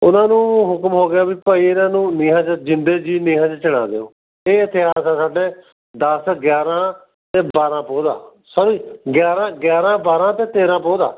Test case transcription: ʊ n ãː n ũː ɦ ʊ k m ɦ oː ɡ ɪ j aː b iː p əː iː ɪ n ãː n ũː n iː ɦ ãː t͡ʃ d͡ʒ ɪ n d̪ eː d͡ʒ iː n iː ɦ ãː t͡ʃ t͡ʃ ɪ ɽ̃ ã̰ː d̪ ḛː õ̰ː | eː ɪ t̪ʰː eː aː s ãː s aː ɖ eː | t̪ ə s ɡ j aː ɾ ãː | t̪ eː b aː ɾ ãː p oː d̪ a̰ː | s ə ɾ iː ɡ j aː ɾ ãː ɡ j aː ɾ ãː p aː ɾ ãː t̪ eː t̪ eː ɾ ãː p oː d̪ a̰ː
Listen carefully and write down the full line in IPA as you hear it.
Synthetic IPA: ʊ n ãː n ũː ɦ ʊ k m ɦ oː ɡ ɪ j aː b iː p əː iː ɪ n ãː n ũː n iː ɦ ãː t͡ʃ d͡ʒ ɪ n d̪ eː d͡ʒ iː n iː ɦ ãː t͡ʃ t͡ʃ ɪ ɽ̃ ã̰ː d̪ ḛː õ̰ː | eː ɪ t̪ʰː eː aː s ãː s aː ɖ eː | d̪ ə s ɡ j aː ɾ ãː | t̪ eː b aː ɾ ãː p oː d̪ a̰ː | s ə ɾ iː ɡ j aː ɾ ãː ɡ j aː ɾ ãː b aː ɾ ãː t̪ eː t̪ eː ɾ ãː p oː d̪ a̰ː